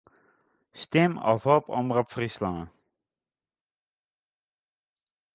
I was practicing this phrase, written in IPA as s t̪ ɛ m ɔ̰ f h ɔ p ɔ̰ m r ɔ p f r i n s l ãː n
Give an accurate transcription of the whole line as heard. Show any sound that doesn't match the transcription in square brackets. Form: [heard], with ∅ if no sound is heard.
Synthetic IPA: s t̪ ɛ m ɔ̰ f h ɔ p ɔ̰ m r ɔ p f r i [∅] s l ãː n